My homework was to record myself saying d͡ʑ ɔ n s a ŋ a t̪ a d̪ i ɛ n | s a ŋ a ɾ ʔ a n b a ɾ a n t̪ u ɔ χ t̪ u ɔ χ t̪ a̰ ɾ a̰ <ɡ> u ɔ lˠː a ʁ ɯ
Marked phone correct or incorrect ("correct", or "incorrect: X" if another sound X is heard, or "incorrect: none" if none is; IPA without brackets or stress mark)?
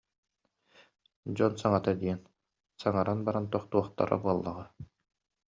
incorrect: b